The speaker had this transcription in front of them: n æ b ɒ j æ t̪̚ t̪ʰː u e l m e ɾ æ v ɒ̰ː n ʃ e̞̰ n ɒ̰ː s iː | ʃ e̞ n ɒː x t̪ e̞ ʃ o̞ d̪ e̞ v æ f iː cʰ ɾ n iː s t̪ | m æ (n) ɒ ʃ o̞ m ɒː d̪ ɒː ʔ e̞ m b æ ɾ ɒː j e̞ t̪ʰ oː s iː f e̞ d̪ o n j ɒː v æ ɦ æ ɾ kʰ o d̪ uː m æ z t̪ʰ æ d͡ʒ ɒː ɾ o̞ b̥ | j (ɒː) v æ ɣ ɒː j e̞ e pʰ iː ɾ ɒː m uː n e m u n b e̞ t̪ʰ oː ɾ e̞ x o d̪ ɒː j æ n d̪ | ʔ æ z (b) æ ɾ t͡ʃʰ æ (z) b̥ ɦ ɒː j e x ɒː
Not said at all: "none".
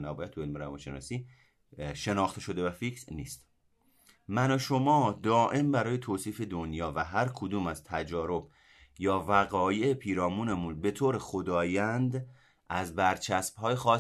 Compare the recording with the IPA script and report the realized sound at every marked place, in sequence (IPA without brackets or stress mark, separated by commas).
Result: n, ɒː, b, s